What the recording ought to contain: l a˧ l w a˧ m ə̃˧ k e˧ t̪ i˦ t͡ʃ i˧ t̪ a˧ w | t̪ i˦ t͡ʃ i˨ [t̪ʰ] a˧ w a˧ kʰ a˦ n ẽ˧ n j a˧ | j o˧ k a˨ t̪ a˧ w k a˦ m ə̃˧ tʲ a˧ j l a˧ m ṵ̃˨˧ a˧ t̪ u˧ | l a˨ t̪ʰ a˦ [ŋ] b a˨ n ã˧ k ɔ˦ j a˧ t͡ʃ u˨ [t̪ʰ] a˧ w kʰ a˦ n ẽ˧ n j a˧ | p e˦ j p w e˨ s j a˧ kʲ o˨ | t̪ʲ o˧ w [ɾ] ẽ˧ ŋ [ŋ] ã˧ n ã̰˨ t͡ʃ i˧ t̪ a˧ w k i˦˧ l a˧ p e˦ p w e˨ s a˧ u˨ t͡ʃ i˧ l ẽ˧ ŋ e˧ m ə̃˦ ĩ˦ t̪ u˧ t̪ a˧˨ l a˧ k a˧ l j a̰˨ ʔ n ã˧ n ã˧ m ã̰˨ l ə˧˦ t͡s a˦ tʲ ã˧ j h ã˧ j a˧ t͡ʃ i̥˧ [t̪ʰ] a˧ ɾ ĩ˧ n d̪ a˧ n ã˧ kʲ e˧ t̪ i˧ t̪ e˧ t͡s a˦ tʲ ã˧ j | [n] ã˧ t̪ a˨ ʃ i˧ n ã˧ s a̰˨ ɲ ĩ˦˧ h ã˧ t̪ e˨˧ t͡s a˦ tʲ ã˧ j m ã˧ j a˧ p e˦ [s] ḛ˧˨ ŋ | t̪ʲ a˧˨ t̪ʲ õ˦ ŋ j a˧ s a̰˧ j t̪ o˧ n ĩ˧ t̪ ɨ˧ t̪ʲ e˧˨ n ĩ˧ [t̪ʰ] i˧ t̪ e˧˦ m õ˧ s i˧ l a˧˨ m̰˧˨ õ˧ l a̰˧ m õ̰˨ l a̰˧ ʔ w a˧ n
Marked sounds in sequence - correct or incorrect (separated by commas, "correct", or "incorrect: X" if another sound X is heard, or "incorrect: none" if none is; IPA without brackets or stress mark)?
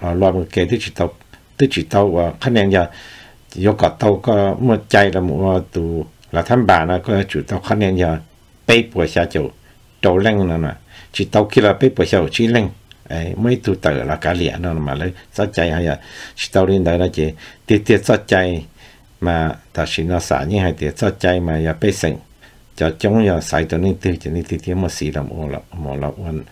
incorrect: t̪, incorrect: m, incorrect: t̪, incorrect: l, incorrect: n, incorrect: t̪, incorrect: m, correct, incorrect: t̪